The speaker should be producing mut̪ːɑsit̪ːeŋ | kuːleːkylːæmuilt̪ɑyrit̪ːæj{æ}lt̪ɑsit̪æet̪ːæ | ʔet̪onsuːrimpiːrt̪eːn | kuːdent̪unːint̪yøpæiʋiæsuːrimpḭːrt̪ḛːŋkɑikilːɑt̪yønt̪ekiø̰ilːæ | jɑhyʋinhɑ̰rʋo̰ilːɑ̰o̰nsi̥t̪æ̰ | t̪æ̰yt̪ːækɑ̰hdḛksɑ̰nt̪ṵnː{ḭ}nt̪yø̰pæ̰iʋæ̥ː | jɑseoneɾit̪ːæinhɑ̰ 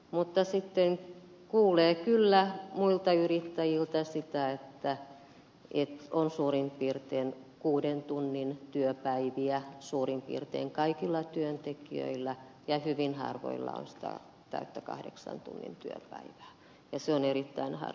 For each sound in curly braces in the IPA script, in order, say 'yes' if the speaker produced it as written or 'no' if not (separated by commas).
no, yes